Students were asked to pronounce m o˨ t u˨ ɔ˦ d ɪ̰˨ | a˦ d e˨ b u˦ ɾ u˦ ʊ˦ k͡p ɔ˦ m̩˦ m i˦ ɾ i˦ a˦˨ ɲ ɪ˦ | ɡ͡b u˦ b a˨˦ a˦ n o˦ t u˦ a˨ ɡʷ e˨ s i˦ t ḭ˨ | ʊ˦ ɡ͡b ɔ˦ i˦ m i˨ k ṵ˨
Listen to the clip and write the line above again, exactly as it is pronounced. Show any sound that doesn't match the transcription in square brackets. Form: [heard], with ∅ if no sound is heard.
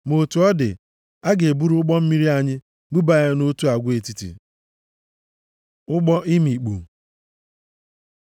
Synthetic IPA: m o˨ t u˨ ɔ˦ d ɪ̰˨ | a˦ [ɡ] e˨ b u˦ ɾ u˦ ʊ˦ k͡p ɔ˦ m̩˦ m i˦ ɾ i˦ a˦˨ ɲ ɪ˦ | ɡ͡b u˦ b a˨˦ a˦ n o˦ t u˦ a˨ ɡʷ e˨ [t] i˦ t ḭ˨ | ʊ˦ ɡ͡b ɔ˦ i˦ m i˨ [k͡p] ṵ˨